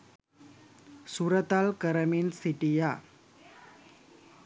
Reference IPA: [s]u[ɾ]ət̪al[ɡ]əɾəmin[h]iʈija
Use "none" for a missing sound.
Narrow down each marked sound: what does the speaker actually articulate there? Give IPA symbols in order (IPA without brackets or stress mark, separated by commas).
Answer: s, ɾ, k, s